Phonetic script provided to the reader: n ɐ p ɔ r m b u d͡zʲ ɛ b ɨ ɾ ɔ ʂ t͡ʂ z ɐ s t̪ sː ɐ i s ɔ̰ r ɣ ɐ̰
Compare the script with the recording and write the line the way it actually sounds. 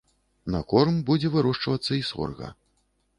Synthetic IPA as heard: n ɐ k ɔ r m b u d͡zʲ ɛ v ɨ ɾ ɔ ʂ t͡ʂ v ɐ t̪ sː ɐ i s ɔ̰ r ɣ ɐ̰

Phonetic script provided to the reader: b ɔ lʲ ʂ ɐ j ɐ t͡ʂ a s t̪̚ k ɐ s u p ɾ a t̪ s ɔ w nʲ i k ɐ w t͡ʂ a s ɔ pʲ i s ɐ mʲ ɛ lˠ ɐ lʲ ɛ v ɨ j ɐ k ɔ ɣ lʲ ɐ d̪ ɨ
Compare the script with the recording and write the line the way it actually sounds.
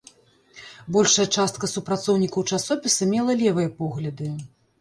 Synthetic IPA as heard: b ɔ lʲ ʂ ɐ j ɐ t͡ʂ a s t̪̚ k ɐ s u p ɾ a t̪ s ɔ w nʲ i k ɐ w t͡ʂ a s ɔ pʲ i s ɐ mʲ ɛ lˠ ɐ lʲ ɛ v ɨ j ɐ p ɔ ɣ lʲ ɐ d̪ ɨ

